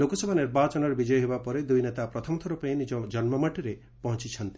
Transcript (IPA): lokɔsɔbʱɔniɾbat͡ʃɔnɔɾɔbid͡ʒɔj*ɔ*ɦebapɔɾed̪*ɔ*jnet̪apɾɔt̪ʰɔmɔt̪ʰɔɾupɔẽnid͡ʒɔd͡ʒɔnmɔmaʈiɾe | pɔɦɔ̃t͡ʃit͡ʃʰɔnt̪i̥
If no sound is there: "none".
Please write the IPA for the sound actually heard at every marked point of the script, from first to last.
ɔ, u

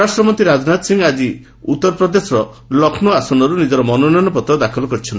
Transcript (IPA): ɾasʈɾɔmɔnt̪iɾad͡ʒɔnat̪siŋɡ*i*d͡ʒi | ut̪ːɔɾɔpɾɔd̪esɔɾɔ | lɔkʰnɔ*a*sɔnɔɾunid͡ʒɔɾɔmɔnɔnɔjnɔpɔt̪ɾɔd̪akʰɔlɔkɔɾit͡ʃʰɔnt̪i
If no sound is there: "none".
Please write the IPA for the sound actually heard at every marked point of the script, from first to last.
a, a

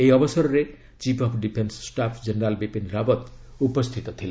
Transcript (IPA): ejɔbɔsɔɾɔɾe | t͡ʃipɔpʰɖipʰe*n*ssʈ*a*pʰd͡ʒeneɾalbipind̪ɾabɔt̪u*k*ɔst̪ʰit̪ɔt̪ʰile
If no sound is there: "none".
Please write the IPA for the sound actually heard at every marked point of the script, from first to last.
n, a, p

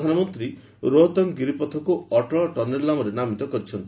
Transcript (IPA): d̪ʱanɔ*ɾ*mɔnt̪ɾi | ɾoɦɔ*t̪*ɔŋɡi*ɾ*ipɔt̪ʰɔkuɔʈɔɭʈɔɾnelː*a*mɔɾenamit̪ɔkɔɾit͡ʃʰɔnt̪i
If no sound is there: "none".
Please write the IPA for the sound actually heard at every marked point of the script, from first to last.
none, t̪, ɾ, a

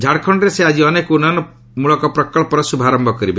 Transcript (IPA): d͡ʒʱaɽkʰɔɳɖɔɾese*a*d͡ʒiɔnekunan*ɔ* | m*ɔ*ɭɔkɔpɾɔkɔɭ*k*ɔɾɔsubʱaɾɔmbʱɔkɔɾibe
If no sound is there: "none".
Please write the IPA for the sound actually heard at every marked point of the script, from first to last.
a, ɔ, u, p

